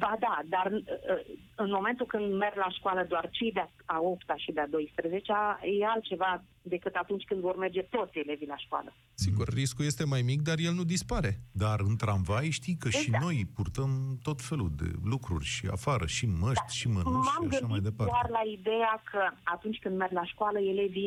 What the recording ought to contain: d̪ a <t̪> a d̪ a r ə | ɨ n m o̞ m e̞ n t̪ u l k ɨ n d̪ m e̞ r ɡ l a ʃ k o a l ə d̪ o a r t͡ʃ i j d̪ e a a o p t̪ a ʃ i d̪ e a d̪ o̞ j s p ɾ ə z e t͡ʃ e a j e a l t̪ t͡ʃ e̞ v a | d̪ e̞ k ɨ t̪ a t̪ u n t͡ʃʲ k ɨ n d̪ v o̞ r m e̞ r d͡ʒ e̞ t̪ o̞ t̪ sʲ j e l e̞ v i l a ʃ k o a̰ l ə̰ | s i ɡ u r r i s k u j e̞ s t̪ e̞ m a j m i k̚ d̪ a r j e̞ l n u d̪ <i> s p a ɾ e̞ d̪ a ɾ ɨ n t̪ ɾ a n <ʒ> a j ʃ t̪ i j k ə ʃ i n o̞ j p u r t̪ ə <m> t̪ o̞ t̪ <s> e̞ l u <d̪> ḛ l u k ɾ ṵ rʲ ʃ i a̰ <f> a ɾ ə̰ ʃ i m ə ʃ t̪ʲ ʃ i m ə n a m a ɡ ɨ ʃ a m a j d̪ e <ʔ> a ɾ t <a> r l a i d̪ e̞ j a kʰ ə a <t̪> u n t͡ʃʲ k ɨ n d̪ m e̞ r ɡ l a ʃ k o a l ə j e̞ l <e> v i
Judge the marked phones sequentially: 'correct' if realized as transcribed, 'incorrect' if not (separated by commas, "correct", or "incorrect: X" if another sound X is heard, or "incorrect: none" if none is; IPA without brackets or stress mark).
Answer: incorrect: d̪, correct, incorrect: v, correct, incorrect: f, correct, correct, incorrect: p, correct, correct, correct